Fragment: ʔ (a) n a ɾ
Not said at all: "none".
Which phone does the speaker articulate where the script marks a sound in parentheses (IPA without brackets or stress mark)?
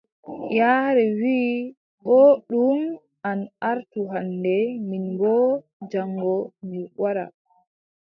a